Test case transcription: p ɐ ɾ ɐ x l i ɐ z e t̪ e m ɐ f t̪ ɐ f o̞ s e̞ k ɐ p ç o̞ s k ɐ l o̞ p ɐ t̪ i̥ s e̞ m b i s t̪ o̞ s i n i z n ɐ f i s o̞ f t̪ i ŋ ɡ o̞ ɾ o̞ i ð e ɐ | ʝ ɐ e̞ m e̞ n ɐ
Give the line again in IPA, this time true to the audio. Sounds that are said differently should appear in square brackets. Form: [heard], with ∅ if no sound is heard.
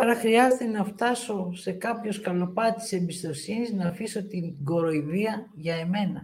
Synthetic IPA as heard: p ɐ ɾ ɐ x [ɾ] i ɐ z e t̪ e [n] ɐ f t̪ ɐ [s] o̞ s e̞ k ɐ p ç o̞ s k ɐ l o̞ p ɐ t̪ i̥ s e̞ m b i s t̪ o̞ s i n i z n ɐ f i s o̞ [∅] t̪ i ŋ ɡ o̞ ɾ o̞ i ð [i] ɐ | ʝ ɐ e̞ m e̞ n ɐ